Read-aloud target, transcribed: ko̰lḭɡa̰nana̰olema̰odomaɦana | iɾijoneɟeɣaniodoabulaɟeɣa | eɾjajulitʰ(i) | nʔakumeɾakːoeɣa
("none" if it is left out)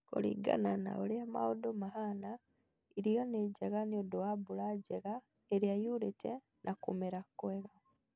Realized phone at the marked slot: e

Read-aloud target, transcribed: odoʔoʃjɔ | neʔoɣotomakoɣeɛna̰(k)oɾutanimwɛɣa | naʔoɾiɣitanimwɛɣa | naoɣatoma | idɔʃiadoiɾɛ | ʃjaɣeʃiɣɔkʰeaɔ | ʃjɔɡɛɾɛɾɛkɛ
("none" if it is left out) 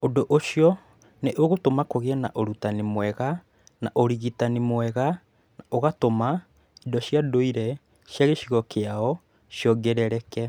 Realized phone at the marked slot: ʔ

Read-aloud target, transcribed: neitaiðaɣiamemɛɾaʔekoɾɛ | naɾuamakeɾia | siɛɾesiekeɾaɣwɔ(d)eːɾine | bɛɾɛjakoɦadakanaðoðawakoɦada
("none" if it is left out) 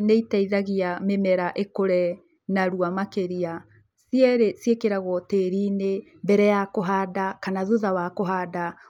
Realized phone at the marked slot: t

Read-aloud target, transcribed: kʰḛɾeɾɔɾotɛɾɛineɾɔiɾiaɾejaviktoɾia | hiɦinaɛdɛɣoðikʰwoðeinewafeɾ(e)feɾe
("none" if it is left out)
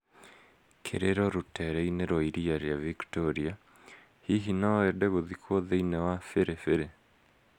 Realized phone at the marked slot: e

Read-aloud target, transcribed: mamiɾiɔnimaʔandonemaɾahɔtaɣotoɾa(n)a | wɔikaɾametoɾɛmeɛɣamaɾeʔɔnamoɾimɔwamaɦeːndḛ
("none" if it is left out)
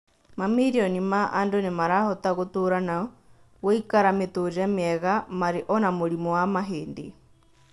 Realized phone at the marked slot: n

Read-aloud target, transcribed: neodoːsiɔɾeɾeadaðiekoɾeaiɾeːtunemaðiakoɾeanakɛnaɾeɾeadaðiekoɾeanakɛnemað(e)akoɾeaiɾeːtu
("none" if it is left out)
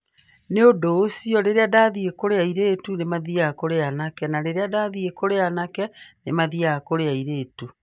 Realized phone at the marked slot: i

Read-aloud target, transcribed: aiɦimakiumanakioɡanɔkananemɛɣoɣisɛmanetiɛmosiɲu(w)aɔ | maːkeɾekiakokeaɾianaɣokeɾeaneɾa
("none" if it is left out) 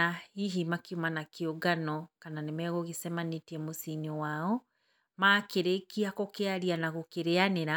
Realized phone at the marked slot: w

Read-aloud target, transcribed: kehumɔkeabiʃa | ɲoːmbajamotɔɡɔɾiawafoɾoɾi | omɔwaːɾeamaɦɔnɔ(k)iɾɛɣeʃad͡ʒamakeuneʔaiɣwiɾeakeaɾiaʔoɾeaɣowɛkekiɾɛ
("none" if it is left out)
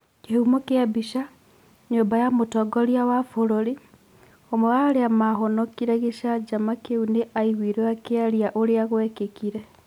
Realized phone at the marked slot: k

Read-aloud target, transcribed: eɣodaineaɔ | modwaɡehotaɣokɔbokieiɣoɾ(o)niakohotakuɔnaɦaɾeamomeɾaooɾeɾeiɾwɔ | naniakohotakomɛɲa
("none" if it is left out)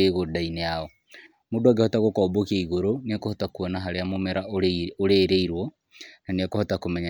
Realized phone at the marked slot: o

